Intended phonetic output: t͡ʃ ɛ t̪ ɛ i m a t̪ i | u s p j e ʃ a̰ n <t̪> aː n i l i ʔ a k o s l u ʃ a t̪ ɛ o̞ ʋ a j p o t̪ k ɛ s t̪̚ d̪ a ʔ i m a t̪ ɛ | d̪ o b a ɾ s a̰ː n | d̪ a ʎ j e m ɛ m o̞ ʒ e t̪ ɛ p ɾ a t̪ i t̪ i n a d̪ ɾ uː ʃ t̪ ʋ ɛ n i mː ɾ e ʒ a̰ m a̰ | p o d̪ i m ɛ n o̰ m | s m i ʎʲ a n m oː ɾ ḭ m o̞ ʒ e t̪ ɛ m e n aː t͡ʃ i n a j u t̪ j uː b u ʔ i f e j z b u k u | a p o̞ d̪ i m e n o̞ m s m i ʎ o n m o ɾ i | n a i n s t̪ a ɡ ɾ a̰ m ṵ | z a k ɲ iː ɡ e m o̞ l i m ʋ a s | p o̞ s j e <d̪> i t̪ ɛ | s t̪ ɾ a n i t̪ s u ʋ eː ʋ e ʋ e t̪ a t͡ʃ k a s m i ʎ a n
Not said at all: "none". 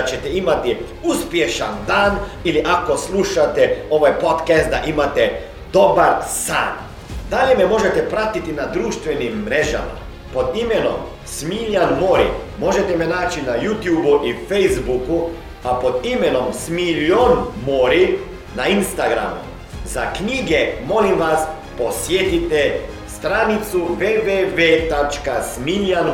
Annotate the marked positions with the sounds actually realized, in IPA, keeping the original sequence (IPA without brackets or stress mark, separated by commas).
d̪, t̪